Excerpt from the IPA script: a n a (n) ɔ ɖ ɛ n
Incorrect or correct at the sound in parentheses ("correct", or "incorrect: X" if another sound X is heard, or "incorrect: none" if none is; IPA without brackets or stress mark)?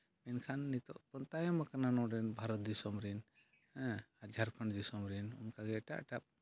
correct